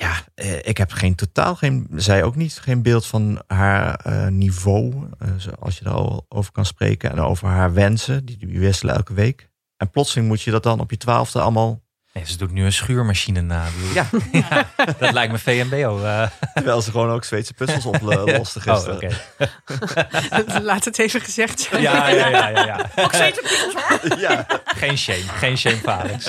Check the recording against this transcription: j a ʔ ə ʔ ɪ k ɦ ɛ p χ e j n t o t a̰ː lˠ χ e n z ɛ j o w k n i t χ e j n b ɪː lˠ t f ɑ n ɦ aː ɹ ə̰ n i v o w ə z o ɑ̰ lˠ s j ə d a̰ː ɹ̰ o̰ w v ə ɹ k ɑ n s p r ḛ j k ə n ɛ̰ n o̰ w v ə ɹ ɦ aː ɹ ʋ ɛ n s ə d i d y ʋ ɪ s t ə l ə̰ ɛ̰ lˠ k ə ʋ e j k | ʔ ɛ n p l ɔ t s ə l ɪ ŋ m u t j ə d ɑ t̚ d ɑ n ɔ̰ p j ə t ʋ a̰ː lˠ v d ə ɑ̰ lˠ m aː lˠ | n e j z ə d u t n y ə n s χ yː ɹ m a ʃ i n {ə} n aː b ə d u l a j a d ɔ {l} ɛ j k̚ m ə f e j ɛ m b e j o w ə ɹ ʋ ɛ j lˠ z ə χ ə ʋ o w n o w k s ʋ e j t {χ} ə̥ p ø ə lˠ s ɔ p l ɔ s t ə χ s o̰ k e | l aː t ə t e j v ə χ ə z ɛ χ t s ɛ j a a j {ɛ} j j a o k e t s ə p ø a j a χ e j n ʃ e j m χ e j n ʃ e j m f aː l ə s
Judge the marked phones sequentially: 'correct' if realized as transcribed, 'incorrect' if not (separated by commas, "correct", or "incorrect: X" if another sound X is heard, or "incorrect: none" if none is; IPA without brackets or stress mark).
correct, correct, incorrect: s, incorrect: a